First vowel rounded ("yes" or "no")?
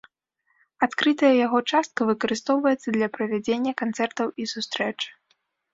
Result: no